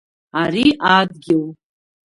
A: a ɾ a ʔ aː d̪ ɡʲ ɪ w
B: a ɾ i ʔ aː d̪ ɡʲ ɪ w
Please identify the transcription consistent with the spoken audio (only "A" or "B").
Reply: B